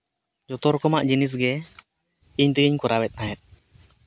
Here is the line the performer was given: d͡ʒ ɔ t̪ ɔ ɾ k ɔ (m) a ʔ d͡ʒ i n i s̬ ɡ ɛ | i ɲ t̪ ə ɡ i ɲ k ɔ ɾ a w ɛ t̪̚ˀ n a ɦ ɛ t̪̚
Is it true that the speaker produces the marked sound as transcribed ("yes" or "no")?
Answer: yes